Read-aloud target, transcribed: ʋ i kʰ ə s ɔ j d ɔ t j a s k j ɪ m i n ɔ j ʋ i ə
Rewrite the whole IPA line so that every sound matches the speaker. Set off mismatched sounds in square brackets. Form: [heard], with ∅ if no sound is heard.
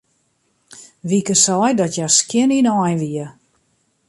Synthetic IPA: ʋ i [k] ə s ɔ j d ɔ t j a s k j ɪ [n] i n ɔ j ʋ i ə